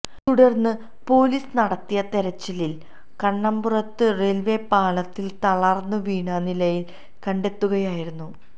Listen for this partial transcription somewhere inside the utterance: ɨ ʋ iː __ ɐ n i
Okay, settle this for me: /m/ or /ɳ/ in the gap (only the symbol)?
ɳ